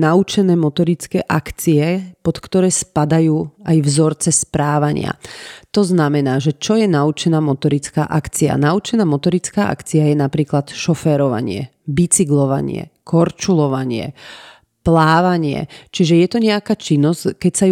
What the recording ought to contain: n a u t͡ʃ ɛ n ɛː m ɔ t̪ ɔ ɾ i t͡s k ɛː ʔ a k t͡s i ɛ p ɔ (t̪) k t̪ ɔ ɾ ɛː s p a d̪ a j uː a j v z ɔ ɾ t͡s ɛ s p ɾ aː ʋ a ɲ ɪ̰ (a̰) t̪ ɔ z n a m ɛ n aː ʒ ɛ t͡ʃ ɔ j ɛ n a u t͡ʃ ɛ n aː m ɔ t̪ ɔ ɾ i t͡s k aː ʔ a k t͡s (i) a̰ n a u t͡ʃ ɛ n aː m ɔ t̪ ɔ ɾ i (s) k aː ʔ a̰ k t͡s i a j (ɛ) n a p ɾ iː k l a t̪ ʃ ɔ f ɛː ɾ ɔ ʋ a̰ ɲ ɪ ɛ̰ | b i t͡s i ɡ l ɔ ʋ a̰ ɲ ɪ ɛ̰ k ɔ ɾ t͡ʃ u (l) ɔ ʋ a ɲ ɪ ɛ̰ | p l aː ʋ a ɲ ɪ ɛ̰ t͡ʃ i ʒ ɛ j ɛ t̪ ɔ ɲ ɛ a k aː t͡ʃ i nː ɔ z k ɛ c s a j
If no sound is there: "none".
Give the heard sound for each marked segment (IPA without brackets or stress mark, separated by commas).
t̪, a̰, i, t͡s, ɛ, l